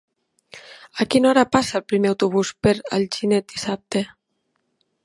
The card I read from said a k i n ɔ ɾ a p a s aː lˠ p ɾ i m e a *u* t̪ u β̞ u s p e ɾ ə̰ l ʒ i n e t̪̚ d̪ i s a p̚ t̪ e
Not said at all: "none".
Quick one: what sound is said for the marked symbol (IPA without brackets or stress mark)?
w